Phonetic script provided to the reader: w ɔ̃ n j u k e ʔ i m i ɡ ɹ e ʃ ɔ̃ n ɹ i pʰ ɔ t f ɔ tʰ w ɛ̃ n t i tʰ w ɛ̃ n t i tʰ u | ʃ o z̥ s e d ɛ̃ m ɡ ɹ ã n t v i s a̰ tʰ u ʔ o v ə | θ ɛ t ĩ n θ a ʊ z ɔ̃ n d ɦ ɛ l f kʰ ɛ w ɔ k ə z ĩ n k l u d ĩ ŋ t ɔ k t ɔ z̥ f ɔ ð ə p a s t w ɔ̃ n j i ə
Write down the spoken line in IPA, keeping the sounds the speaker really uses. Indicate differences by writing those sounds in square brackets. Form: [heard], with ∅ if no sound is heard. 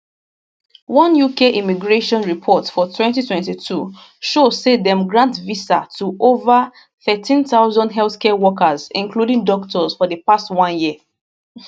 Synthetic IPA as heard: w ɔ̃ n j u k e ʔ i m i ɡ ɹ e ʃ ɔ̃ n ɹ i pʰ ɔ t f ɔ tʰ w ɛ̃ n t i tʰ w ɛ̃ n t i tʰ u | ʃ o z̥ s e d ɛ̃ m ɡ ɹ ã n t v i s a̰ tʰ u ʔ o v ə | θ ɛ t ĩ n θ a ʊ z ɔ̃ n d ɦ ɛ l [θ] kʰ ɛ w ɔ k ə z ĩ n k l u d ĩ ŋ [d] ɔ k t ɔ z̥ f ɔ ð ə p a s t w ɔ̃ n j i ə